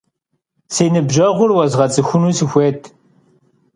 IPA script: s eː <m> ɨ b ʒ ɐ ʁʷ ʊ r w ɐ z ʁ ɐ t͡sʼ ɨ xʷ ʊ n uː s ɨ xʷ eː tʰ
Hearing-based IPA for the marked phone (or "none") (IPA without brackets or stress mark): n